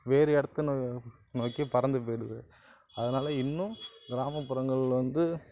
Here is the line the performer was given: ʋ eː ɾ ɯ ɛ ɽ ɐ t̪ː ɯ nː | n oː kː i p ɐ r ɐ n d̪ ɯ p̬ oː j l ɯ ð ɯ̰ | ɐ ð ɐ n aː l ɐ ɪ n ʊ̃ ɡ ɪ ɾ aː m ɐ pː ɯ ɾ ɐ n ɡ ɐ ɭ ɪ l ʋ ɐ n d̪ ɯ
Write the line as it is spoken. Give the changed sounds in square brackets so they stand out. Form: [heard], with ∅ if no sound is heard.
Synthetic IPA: ʋ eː ɾ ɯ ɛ ɽ ɐ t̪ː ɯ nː | n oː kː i p ɐ [ɾ] ɐ n d̪ ɯ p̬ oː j [ɽ] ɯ ð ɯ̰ | ɐ ð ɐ n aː l ɐ ɪ [nː] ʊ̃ ɡ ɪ ɾ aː m ɐ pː ɯ ɾ ɐ [ŋ] ɡ ɐ ɭ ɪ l ʋ ɐ n d̪ ɯ